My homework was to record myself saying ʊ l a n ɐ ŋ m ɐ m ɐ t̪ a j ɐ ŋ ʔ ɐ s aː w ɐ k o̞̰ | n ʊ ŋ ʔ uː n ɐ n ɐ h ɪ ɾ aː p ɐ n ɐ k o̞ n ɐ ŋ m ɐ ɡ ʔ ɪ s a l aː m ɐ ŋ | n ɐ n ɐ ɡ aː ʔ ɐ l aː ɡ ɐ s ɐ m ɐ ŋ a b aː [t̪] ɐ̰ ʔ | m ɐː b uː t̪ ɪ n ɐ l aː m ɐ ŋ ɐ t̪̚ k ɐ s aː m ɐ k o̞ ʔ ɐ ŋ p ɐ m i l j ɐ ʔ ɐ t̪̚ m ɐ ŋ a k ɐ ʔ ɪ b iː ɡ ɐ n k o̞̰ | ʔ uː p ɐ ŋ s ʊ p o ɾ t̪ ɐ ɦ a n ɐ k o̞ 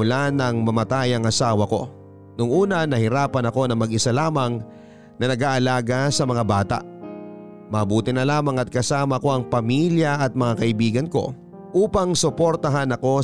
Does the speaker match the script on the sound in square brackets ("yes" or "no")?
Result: yes